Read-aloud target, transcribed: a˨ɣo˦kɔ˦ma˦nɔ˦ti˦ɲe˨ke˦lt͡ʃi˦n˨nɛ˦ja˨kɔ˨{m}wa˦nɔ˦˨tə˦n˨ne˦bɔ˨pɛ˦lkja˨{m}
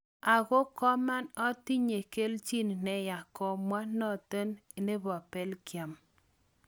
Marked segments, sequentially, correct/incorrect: correct, correct

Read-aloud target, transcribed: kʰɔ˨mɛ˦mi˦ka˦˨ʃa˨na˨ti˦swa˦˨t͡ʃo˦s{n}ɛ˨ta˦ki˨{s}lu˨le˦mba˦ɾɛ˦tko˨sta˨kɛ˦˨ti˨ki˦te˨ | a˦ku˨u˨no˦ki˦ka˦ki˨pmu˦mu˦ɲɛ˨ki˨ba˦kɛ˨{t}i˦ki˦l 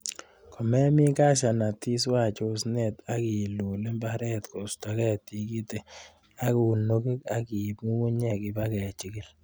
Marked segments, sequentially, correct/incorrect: correct, incorrect, incorrect

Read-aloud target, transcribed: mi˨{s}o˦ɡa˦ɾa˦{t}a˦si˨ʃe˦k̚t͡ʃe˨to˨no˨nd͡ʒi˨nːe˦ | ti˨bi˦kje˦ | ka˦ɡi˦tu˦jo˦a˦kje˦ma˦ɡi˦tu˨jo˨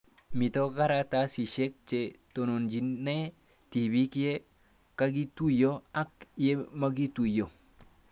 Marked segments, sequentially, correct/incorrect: incorrect, correct

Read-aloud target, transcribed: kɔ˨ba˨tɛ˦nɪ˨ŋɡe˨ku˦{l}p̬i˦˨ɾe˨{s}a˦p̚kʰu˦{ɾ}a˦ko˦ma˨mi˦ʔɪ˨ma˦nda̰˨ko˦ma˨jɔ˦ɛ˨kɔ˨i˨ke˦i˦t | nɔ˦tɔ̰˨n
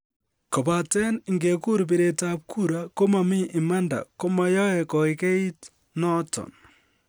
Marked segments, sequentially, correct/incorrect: incorrect, incorrect, correct

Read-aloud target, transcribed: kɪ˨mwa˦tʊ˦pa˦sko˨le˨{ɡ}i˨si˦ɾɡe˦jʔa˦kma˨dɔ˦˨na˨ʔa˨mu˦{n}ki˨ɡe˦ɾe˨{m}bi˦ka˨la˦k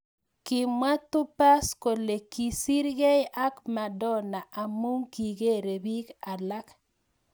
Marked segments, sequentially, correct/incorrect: incorrect, incorrect, incorrect

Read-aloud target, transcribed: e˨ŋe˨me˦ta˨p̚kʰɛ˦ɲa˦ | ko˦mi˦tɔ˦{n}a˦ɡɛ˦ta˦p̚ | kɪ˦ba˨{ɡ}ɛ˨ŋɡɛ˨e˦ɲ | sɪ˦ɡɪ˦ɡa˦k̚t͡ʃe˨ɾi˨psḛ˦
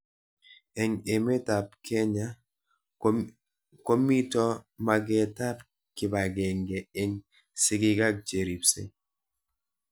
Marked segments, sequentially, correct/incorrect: incorrect, correct

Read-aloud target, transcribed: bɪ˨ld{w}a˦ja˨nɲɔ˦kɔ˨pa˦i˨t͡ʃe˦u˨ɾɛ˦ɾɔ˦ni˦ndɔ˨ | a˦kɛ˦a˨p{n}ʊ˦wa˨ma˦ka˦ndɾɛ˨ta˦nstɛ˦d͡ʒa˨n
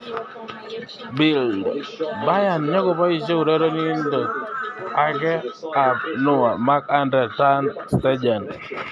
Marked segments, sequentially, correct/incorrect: incorrect, correct

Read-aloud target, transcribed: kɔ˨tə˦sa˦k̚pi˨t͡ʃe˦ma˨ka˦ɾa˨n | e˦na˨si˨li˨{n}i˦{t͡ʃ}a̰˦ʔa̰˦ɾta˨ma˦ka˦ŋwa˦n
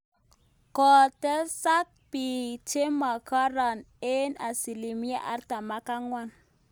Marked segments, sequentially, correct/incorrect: incorrect, incorrect

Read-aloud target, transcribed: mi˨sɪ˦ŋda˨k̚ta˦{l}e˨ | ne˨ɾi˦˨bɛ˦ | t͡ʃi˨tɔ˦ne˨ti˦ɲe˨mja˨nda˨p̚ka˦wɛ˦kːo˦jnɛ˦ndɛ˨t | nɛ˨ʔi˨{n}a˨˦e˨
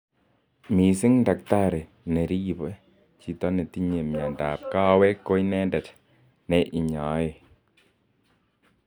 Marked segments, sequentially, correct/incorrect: incorrect, incorrect

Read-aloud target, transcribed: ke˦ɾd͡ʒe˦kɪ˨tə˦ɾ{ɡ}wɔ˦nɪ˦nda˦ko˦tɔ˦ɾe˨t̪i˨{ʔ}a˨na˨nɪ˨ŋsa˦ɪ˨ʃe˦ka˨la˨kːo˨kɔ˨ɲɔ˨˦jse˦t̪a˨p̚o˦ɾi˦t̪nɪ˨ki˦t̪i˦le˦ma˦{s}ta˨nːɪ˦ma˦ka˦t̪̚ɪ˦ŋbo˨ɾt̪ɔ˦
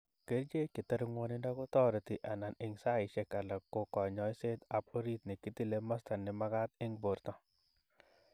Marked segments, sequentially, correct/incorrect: incorrect, correct, correct

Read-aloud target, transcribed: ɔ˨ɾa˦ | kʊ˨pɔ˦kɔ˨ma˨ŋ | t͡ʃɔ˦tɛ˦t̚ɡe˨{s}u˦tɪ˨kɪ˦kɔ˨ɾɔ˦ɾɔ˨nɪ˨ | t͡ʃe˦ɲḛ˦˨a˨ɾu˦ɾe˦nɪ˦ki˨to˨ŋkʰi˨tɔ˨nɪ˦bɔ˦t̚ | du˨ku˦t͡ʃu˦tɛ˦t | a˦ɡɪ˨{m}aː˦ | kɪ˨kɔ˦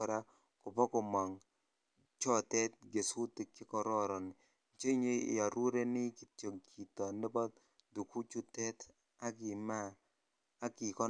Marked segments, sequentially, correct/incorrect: correct, correct

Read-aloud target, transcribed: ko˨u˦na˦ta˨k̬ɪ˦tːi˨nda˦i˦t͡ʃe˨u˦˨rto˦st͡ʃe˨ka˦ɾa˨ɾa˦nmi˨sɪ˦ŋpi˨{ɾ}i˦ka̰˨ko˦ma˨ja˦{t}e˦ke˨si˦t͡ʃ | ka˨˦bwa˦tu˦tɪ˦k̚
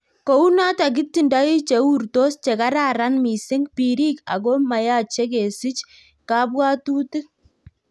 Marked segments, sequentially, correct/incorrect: correct, incorrect

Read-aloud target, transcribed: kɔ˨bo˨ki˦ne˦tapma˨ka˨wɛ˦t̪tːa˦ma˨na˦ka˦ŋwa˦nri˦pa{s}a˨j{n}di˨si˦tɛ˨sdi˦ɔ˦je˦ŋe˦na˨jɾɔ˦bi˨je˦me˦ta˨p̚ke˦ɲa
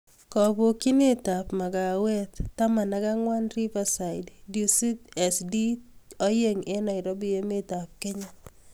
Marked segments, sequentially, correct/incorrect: correct, incorrect

